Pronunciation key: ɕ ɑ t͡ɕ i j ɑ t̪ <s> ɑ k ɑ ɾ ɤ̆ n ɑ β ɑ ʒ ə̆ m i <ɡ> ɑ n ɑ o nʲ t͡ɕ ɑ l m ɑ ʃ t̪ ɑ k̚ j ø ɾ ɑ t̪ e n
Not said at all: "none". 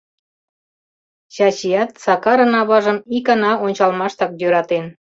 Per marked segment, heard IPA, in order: s, k

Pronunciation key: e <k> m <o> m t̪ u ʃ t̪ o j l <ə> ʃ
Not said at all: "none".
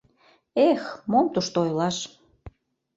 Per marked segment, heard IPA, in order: x, o, ɑ

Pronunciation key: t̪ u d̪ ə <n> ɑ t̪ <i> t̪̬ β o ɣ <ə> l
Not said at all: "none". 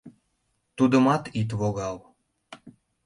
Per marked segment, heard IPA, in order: m, i, ɑ

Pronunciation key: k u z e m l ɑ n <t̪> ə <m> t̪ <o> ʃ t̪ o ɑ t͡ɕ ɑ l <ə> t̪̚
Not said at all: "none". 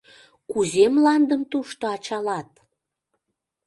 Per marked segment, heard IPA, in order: d̪, m, u, ɑ

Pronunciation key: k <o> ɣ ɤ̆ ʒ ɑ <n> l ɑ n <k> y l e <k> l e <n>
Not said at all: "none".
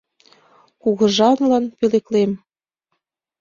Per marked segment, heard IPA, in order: u, n, p, k, m

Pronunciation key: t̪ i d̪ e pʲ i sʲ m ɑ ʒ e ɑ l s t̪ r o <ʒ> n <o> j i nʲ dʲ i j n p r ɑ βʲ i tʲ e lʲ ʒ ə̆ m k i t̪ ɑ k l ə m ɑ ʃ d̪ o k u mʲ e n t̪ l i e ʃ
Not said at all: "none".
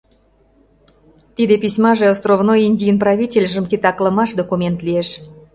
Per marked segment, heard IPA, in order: v, o

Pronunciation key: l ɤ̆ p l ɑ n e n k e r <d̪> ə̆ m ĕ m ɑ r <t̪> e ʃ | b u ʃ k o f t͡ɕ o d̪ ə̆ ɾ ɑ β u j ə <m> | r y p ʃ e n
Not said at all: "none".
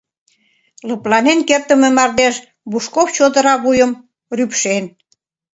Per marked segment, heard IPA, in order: t̪, d̪, m

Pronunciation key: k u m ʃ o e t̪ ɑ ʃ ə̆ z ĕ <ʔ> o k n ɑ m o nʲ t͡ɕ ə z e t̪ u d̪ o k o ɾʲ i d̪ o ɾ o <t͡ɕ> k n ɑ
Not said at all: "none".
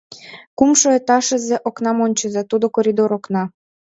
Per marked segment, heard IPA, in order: ʔ, none

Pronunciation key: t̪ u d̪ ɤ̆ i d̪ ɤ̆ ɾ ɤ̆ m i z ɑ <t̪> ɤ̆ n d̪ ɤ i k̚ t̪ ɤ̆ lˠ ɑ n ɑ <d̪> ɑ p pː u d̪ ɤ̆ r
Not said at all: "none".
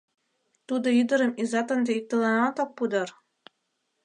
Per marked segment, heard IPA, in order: t̪, t̪

